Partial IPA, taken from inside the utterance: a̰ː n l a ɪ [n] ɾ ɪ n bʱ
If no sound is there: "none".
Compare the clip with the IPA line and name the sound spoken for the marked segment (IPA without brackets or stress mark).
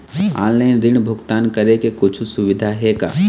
n